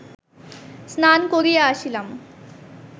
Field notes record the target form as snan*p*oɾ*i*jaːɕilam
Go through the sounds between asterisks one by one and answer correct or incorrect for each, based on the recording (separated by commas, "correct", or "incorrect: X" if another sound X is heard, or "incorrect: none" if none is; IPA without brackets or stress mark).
incorrect: k, correct